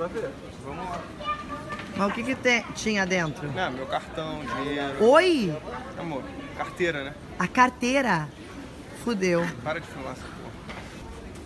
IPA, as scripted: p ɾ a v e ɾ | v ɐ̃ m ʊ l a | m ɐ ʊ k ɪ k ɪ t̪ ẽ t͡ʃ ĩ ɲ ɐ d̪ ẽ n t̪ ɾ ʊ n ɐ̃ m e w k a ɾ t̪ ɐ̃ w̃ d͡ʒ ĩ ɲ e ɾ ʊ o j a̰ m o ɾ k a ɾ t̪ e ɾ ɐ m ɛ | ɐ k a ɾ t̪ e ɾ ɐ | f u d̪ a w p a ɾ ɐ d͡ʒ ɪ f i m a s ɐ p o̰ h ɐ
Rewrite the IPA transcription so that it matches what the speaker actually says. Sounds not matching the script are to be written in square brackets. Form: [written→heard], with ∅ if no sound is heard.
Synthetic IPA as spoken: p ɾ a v e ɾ | v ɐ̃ m ʊ l a | m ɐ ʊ k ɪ k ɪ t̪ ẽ t͡ʃ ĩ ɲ ɐ d̪ ẽ n t̪ ɾ ʊ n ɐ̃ m e w k a ɾ t̪ ɐ̃ w̃ d͡ʒ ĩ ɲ e ɾ ʊ o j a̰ m o ɾ k a ɾ t̪ e ɾ ɐ [m→n] ɛ | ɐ k a ɾ t̪ e ɾ ɐ | f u d̪ [a→e] w p a ɾ ɐ d͡ʒ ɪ f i m a s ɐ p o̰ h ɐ